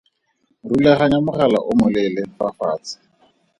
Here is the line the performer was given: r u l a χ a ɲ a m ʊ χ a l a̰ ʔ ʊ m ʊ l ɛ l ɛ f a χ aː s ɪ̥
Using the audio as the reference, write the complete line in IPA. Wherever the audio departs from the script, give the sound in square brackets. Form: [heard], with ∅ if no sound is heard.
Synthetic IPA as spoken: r u l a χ a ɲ a m ʊ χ a l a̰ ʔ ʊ m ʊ l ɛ l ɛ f a [f] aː [t͡s] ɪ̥